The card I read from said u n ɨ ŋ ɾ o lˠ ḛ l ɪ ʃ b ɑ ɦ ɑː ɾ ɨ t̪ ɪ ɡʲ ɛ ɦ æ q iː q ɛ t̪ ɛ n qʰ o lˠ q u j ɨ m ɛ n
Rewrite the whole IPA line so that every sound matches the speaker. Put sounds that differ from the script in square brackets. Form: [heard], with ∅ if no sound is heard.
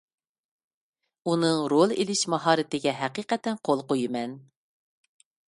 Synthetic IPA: u n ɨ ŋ ɾ o lˠ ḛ l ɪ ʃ [m] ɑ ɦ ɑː ɾ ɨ t̪ ɪ ɡʲ ɛ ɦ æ q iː q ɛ t̪ ɛ n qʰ o lˠ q [o] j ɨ m ɛ n